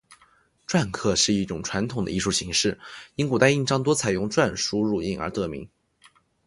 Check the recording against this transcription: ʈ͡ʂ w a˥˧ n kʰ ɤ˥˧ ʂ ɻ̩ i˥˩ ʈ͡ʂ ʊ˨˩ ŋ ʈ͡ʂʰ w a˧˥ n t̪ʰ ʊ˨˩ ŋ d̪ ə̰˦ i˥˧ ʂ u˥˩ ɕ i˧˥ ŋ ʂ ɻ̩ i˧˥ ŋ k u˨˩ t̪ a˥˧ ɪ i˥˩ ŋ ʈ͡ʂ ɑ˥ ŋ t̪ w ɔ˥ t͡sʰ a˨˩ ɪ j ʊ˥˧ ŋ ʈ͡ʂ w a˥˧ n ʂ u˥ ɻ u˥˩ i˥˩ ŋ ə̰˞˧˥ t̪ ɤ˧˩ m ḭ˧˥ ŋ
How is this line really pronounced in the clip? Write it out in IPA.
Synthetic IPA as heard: ʈ͡ʂ w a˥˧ n kʰ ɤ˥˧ ʂ ɻ̩ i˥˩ ʈ͡ʂ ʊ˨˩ ŋ ʈ͡ʂʰ w a˧˥ n t̪ʰ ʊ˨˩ ŋ d̪ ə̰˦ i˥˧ ʂ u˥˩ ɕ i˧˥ ŋ ʂ ɻ̩ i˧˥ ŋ k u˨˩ t̪ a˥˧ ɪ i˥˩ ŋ ʈ͡ʂ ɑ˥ ŋ t̪ w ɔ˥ t͡sʰ a˨˩ ɪ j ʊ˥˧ ŋ ʈ͡ʂ w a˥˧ n ʂ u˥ ɻ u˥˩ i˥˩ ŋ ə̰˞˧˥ t̪ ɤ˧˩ m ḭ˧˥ ŋ